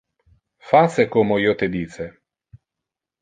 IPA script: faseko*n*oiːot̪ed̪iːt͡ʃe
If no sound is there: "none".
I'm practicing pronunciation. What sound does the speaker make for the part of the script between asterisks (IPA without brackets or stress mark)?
m